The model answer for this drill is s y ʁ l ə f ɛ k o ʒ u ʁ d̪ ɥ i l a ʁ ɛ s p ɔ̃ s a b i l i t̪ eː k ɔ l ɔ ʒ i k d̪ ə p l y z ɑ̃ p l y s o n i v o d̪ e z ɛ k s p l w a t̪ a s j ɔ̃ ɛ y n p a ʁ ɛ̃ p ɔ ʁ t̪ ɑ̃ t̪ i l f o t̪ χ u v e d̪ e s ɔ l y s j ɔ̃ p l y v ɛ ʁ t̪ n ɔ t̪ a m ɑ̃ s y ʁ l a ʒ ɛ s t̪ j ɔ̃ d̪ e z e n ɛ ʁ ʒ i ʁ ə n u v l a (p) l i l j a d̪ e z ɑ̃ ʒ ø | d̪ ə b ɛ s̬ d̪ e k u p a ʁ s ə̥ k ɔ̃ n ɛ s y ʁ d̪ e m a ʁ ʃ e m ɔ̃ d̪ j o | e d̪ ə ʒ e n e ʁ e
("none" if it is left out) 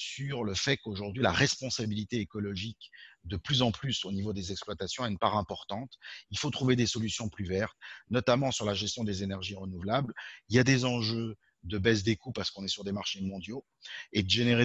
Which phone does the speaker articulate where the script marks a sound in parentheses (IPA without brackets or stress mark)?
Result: b